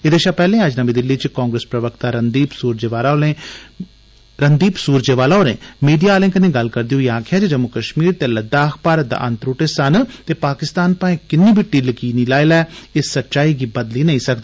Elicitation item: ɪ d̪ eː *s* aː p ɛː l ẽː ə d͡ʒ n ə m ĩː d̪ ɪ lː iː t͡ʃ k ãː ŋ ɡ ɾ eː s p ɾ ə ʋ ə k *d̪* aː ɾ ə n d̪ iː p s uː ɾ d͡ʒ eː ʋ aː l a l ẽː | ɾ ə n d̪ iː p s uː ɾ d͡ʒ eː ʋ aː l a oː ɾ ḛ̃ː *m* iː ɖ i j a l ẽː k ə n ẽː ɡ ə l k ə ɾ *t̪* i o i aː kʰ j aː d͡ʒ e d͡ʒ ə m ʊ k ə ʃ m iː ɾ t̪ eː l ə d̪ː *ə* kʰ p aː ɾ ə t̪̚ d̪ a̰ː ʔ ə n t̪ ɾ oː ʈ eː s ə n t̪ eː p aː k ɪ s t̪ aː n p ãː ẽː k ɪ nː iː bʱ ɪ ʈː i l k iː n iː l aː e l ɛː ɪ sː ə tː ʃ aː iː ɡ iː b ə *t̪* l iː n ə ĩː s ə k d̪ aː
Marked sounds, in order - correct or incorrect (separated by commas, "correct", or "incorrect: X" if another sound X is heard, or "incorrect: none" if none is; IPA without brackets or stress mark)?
incorrect: ʃ, incorrect: t̪, correct, incorrect: d̪, incorrect: a, incorrect: d̪